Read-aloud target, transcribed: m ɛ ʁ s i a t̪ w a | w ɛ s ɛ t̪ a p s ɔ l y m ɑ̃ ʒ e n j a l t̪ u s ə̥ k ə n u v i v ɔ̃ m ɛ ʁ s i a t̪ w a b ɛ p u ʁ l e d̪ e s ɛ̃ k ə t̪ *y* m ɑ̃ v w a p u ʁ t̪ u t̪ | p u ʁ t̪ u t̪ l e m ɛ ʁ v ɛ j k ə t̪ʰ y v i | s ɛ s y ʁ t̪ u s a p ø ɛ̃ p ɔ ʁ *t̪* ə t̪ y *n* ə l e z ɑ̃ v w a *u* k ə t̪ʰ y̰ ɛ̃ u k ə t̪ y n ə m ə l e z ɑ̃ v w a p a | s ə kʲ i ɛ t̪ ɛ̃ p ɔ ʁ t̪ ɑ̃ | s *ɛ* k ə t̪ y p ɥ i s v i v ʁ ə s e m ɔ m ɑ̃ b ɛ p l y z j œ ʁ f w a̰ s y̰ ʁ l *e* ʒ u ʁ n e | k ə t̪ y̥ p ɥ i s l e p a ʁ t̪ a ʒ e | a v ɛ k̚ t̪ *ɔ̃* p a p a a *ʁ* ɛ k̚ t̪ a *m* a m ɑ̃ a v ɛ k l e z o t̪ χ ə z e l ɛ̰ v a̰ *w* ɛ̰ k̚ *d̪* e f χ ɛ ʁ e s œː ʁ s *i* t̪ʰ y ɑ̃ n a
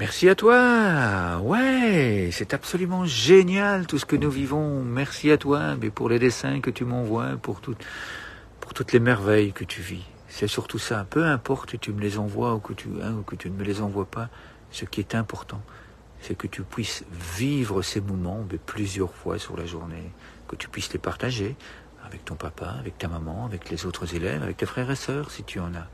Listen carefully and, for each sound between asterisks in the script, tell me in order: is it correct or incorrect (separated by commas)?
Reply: correct, correct, incorrect, correct, correct, incorrect, correct, incorrect, correct, incorrect, incorrect, correct